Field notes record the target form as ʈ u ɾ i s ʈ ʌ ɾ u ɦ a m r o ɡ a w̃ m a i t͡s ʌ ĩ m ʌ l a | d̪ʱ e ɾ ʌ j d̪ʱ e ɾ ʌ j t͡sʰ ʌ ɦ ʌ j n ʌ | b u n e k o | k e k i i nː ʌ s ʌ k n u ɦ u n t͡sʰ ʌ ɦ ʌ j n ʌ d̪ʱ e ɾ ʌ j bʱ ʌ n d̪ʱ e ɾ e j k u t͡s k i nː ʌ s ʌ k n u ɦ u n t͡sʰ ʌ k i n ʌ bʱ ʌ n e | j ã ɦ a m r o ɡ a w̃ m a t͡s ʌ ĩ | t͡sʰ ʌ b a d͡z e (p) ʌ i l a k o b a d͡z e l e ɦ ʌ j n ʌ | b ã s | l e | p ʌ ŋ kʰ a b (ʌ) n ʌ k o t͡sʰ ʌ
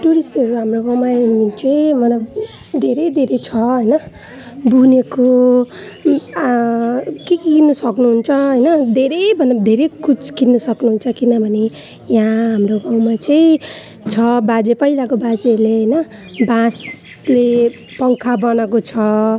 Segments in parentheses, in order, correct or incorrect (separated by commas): correct, correct